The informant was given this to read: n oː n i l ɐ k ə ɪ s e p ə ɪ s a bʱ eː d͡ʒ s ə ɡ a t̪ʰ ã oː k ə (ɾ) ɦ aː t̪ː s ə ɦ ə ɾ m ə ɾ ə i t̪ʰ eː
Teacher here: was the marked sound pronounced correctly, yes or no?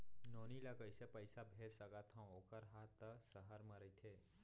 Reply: yes